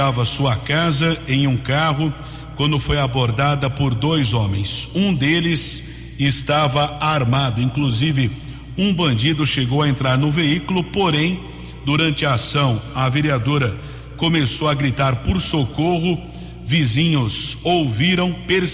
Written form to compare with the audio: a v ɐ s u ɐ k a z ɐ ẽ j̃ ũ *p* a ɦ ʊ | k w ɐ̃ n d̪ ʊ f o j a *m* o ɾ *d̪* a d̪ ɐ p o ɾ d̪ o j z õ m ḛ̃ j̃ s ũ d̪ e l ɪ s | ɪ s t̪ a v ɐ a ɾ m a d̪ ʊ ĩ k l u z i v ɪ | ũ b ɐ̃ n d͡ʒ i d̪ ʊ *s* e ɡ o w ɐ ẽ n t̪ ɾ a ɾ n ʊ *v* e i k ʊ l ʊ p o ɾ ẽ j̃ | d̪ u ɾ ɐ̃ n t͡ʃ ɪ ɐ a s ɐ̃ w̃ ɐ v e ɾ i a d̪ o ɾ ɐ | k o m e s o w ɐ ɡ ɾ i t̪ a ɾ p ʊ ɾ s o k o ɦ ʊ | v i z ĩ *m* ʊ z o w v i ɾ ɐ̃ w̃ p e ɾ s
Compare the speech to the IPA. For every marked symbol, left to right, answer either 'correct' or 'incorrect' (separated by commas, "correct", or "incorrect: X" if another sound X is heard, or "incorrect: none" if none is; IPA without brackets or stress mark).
incorrect: k, incorrect: b, correct, incorrect: ʃ, correct, incorrect: ɲ